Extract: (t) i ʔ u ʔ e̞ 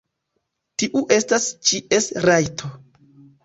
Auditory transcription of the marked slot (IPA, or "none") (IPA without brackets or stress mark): t